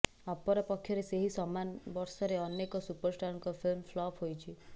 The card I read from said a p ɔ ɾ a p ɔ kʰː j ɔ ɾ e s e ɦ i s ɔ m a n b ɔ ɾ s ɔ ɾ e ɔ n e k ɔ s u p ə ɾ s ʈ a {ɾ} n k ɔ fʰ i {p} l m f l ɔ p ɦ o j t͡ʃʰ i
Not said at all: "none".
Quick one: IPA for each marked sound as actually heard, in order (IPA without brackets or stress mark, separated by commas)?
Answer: ɾ, none